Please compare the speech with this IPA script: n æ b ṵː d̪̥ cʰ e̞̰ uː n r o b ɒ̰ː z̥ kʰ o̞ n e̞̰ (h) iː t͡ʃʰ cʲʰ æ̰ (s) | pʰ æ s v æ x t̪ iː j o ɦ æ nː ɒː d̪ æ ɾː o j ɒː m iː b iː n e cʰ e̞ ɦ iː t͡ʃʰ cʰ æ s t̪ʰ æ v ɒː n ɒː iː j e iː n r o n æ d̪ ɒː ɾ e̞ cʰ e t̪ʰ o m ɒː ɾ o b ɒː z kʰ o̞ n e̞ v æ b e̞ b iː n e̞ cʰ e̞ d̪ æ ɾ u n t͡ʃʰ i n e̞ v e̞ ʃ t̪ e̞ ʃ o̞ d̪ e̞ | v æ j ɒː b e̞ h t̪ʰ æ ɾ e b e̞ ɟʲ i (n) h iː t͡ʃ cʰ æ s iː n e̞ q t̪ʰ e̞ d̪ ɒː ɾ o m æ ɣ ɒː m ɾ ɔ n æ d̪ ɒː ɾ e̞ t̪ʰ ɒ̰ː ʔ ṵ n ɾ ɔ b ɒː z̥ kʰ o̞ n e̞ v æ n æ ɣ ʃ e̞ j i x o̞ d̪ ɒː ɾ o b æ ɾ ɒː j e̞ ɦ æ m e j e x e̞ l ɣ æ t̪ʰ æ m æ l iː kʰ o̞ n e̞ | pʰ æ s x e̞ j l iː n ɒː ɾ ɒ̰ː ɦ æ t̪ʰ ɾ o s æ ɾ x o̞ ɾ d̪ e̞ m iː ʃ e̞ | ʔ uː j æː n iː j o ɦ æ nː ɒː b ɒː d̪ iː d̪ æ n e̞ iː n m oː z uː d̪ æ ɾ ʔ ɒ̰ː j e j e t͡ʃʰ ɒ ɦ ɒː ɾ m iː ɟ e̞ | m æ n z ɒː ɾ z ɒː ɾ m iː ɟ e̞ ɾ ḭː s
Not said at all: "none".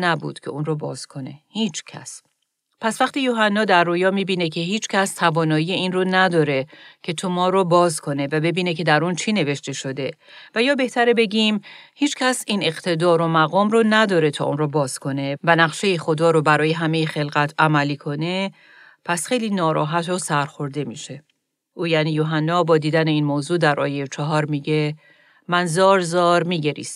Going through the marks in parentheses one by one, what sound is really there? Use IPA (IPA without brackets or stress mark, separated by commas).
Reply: h, s, m